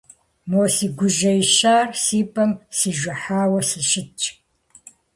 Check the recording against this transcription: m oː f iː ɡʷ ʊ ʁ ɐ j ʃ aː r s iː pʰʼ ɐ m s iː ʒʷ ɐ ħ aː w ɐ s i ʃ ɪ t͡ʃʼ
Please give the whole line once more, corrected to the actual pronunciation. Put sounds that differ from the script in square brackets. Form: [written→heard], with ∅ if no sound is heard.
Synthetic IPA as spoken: m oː [f→s] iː ɡʷ ʊ [ʁ→ʒ] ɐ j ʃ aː r s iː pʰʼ ɐ m s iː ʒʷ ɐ ħ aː w ɐ s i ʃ ɪ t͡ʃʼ